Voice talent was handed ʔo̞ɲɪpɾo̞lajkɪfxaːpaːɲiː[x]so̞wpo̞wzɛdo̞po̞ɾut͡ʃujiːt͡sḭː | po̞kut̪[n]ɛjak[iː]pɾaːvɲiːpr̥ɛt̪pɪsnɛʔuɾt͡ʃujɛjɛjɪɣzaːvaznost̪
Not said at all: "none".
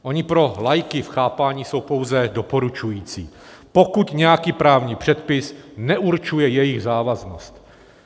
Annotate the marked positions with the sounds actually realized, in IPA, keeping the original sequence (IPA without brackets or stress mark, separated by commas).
none, ɲ, iː